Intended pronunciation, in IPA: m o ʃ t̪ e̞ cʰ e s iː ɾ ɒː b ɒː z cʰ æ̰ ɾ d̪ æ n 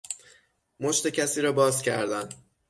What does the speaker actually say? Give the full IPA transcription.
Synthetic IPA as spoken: m o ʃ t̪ e̞ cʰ æ s iː ɾ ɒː b ɒː z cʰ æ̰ ɾ d̪ æ n